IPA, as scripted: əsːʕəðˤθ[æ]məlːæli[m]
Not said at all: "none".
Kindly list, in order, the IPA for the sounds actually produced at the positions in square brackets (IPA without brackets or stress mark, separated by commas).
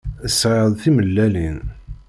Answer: i, n